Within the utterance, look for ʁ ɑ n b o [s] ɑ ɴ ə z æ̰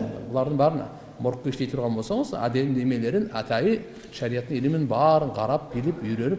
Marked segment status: correct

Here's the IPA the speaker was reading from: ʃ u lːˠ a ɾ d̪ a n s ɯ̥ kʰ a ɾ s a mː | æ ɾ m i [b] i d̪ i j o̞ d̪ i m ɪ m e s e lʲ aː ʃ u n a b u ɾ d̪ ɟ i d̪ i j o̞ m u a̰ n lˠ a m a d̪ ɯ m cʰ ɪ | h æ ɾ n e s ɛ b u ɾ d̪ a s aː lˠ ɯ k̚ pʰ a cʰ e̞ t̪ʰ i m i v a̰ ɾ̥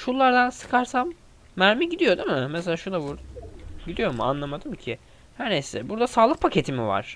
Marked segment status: incorrect: ɟ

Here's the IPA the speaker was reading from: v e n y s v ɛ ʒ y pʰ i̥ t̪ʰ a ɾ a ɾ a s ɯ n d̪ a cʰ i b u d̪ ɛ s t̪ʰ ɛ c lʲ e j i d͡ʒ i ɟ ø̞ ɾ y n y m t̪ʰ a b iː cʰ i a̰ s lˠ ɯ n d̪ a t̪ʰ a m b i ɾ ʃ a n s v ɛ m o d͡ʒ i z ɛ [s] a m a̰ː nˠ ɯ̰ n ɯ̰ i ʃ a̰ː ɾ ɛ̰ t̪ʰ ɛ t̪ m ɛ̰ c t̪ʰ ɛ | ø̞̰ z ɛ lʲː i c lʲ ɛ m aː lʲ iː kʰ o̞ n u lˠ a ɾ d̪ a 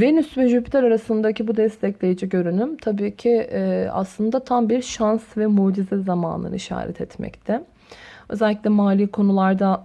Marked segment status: incorrect: z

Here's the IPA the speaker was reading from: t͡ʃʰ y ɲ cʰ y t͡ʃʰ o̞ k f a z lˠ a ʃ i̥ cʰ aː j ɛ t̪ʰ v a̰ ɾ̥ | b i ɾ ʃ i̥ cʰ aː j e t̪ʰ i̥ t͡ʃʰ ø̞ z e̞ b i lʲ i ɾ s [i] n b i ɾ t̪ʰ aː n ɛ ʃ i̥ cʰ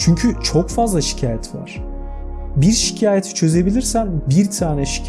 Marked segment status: incorrect: æ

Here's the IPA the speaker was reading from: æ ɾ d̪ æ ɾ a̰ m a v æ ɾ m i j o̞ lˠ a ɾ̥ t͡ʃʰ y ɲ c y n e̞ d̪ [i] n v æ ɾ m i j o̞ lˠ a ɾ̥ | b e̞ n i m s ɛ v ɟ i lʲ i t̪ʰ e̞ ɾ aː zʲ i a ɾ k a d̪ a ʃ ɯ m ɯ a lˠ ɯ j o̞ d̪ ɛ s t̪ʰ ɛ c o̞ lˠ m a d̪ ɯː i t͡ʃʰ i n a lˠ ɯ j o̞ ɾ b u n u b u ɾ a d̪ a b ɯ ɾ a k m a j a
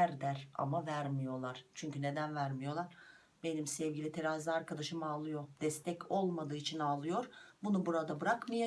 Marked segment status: incorrect: æ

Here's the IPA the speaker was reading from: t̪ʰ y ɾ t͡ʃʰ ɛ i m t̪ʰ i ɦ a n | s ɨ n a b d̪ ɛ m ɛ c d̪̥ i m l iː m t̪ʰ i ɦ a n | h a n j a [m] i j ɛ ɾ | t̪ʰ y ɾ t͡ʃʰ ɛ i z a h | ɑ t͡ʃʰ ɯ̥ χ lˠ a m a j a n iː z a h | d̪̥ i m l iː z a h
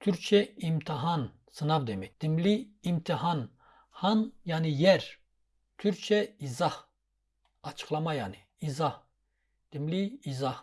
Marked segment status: incorrect: n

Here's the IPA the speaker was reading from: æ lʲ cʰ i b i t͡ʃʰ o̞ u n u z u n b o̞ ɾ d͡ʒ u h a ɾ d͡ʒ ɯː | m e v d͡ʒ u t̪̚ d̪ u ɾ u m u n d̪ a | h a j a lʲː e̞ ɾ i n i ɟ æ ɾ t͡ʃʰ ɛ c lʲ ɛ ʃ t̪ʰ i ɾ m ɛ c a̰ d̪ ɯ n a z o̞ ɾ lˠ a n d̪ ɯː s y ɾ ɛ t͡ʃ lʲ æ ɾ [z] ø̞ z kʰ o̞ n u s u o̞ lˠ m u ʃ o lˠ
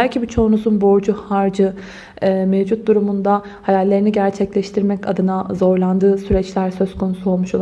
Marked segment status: incorrect: s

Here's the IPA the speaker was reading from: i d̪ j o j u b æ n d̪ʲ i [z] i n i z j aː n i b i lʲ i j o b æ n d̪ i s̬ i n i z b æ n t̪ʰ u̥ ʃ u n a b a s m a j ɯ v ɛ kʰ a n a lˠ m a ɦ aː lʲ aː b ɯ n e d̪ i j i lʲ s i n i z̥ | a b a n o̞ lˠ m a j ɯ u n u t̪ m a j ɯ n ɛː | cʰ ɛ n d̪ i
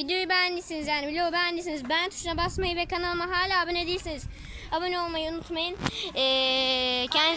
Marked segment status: incorrect: s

